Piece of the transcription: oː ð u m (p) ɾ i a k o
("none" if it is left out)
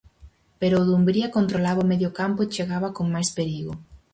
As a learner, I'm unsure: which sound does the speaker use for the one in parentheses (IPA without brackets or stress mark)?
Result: b